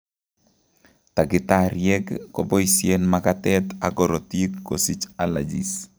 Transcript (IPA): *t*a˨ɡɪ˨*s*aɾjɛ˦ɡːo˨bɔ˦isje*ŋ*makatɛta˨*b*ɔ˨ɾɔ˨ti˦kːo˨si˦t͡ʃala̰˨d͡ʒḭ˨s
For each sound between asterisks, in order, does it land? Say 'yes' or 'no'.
yes, no, no, no

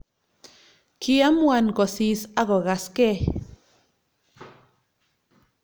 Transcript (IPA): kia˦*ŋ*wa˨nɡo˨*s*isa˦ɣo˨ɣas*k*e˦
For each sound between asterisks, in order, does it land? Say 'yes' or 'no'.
no, yes, yes

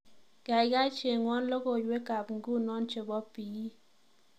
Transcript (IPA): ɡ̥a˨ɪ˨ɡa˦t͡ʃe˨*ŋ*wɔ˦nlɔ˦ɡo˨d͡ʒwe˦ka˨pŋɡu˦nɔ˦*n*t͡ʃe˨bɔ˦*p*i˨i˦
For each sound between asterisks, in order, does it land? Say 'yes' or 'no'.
yes, yes, yes

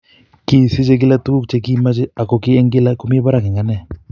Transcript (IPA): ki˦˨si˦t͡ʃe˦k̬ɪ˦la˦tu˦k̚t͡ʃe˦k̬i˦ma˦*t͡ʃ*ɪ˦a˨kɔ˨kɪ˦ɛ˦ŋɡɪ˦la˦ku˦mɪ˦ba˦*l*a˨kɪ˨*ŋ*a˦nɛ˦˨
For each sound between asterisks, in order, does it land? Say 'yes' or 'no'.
yes, no, yes

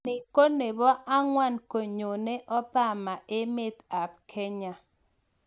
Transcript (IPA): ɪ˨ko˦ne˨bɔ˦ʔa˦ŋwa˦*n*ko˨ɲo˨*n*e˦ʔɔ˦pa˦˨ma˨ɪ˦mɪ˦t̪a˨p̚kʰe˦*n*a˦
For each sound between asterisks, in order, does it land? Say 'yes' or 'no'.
yes, yes, no

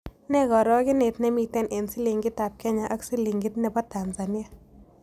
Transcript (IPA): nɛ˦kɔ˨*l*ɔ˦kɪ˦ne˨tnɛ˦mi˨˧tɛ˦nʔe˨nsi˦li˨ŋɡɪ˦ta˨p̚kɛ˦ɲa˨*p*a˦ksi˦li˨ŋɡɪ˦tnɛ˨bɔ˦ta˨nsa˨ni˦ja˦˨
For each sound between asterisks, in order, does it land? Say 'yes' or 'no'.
no, no

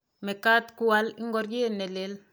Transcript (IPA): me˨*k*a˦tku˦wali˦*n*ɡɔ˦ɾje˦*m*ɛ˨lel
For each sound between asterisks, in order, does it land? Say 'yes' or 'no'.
yes, no, no

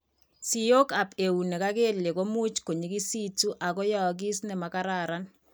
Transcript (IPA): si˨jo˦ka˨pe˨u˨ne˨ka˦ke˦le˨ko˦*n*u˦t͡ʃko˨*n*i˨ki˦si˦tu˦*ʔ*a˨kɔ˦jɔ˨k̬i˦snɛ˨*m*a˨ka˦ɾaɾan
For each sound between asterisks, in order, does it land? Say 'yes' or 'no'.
no, no, yes, yes

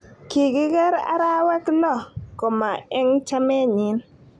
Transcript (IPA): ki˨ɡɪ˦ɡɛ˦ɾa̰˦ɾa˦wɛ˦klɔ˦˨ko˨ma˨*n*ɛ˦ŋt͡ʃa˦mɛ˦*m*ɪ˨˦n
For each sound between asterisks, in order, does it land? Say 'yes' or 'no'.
no, no

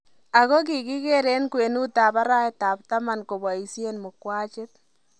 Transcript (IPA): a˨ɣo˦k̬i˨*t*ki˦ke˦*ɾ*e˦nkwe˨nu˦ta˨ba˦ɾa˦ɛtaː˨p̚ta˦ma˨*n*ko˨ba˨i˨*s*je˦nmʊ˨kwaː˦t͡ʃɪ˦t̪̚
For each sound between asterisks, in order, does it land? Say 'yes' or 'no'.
no, yes, yes, yes

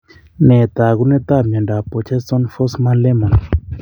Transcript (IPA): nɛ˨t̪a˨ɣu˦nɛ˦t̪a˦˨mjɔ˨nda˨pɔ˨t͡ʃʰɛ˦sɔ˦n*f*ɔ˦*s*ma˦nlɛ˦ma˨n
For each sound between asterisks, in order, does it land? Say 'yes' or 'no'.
yes, yes

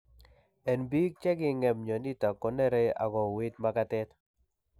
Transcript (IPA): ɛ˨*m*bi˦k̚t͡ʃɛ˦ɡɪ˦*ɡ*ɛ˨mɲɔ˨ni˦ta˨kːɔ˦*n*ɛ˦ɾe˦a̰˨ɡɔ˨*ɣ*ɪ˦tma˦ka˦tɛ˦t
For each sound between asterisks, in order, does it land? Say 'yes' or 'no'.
no, no, yes, no

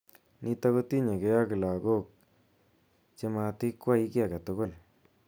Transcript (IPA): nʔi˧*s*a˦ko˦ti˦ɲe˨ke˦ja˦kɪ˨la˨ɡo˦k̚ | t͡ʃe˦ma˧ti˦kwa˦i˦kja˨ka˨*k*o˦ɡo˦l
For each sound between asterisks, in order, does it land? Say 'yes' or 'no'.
no, no

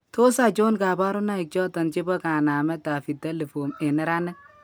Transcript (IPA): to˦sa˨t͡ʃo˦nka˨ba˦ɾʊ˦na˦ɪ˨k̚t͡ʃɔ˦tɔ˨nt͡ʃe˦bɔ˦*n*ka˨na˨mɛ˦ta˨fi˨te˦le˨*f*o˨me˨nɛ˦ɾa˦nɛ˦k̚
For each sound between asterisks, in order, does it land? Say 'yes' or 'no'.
no, yes

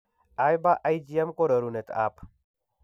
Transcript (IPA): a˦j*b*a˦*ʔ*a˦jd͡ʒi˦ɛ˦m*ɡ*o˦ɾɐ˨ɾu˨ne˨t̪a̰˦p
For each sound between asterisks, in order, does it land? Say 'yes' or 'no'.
yes, yes, no

